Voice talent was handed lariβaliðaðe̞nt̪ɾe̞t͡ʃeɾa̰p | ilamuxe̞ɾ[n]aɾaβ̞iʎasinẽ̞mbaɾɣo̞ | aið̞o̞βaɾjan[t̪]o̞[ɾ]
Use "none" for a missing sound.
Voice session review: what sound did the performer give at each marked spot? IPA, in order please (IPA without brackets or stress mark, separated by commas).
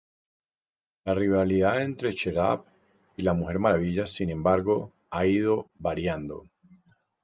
m, d̪, none